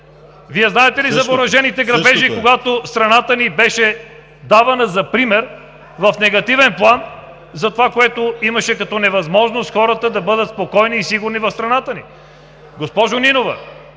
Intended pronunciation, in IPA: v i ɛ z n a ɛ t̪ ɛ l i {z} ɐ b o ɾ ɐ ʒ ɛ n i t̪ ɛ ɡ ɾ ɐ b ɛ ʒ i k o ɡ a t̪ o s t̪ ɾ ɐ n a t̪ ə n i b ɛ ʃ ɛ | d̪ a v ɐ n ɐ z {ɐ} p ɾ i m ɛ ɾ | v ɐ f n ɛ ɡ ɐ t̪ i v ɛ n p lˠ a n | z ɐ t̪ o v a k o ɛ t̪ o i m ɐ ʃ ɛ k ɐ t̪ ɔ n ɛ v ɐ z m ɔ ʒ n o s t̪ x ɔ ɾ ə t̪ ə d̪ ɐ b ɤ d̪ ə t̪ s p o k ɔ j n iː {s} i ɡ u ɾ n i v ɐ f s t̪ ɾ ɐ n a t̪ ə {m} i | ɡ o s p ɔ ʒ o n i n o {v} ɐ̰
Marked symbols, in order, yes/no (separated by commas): yes, yes, yes, no, yes